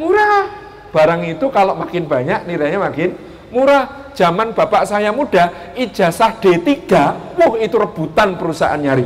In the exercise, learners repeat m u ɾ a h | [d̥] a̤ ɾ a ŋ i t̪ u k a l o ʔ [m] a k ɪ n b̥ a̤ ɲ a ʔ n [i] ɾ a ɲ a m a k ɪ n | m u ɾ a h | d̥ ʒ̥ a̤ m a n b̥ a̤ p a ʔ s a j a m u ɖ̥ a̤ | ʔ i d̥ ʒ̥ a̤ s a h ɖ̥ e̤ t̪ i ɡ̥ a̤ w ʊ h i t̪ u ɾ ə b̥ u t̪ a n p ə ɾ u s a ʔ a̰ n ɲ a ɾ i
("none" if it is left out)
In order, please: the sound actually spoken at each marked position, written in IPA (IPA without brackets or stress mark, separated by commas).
b̥, m, i